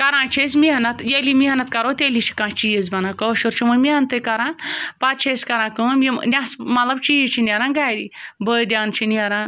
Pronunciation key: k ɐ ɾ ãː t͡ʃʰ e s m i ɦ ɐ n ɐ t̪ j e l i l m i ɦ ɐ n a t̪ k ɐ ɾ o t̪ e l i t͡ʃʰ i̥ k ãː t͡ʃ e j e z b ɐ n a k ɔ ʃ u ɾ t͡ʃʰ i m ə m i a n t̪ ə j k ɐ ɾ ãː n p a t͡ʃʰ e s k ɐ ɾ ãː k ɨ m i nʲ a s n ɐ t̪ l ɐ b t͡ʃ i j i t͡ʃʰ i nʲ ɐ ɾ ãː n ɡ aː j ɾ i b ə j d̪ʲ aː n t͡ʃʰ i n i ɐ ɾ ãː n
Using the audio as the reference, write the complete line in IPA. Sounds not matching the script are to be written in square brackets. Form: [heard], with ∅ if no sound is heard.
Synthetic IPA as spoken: k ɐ ɾ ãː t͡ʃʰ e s m i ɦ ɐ n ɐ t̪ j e l i [∅] m i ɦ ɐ n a t̪ k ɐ ɾ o t̪ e l i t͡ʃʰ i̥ k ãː t͡ʃ [i] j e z b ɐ n a k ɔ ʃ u ɾ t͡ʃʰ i m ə m i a n t̪ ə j k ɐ ɾ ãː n p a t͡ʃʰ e s k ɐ ɾ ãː k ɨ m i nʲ a s [m] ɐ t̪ l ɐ b t͡ʃ i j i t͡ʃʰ i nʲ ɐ ɾ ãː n ɡ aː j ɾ i b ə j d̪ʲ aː n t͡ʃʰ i n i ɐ ɾ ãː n